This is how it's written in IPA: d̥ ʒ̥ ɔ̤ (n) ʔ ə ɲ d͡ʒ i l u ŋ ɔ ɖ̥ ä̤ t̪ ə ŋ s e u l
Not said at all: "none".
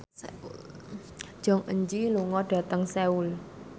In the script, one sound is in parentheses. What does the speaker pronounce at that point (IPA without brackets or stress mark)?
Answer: ŋ